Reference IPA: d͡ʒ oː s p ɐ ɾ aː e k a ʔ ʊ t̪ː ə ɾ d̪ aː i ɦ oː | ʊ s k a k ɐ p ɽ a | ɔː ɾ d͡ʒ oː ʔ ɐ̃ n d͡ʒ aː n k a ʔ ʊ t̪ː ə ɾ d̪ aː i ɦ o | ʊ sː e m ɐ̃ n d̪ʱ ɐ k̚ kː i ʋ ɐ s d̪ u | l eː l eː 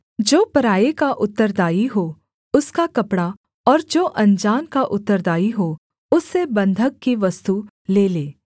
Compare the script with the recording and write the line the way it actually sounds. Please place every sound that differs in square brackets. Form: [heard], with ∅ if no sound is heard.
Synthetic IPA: d͡ʒ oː [∅] p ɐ ɾ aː e k a ʔ ʊ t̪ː ə ɾ d̪ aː i ɦ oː | ʊ s k a k ɐ p ɽ a | ɔː ɾ d͡ʒ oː ʔ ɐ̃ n d͡ʒ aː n k a ʔ ʊ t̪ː ə ɾ d̪ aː i ɦ o | ʊ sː e [b] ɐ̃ n d̪ʱ [ə] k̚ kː i ʋ ɐ s [t̪] u | l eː l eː